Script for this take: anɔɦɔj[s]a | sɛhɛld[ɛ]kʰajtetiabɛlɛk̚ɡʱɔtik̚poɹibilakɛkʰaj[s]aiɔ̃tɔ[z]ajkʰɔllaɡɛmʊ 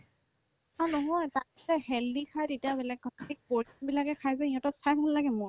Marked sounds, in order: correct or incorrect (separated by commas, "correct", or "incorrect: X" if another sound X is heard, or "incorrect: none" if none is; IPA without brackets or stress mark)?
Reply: incorrect: t, incorrect: i, incorrect: z, incorrect: s